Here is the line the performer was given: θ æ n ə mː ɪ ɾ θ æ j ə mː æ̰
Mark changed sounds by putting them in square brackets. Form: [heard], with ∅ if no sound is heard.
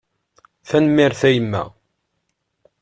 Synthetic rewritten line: θ æ n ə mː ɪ ɾ θ æ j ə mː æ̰